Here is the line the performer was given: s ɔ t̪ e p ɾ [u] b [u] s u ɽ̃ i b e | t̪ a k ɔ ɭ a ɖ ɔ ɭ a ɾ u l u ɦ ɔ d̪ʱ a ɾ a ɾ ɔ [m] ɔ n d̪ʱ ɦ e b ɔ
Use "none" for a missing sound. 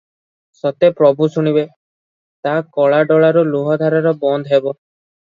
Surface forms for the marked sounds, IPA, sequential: ɔ, u, b

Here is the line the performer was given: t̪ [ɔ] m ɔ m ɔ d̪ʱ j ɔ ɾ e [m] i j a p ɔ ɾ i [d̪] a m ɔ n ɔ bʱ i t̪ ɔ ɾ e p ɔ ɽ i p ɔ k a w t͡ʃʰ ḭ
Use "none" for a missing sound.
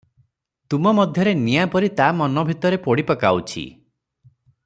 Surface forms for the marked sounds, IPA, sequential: u, n, t̪

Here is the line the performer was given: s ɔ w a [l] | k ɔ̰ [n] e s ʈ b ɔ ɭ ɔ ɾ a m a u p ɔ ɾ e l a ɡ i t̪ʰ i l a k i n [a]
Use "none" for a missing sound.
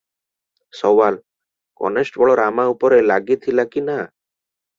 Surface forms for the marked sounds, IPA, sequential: l, n, a

